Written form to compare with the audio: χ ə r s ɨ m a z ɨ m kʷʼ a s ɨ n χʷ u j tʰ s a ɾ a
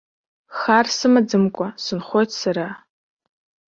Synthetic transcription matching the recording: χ a r s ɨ m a d͡z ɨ m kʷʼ a s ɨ n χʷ o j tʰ s a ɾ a